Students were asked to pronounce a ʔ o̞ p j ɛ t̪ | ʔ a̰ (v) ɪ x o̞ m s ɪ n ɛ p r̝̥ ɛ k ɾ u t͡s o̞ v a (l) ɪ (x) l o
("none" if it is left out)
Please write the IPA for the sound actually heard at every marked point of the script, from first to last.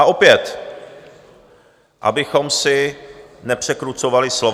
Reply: b, l, s

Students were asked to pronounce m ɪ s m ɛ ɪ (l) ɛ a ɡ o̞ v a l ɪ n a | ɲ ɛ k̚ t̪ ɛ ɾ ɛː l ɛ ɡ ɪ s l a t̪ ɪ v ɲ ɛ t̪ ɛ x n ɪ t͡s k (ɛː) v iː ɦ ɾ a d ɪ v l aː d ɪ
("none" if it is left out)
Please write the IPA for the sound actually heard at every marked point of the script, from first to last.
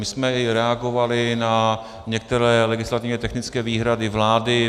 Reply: ɾ, ɛː

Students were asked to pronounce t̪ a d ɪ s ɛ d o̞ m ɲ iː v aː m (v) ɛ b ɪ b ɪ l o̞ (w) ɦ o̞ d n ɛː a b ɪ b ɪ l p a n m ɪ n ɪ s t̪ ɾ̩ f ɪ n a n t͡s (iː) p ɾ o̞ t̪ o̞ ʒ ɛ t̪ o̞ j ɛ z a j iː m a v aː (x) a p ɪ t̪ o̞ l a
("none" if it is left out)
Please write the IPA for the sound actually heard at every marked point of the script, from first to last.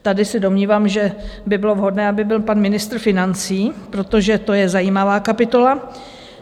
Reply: ʒ, v, iː, k

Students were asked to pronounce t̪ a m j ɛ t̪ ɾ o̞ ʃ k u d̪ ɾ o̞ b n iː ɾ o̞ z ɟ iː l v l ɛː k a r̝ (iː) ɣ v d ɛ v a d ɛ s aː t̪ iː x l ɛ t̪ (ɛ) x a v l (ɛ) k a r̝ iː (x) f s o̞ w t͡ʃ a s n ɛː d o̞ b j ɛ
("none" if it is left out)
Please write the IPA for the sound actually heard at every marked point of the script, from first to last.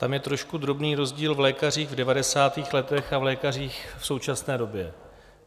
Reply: iː, ɛ, ɛː, x

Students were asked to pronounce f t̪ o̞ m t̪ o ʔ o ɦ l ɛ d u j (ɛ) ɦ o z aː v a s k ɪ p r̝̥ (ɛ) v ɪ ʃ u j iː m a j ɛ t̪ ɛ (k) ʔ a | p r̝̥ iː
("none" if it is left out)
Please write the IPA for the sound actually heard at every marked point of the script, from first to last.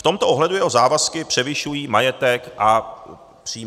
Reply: ɛ, ɛ, k

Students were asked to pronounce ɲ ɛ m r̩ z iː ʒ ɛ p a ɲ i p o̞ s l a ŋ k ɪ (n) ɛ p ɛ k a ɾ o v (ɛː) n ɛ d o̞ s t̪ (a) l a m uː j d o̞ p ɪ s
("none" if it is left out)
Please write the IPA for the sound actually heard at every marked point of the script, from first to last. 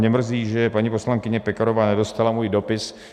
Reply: ɲ, aː, a

